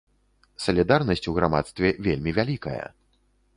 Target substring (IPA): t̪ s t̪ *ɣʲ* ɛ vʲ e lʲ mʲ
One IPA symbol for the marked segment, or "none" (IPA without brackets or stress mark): vʲ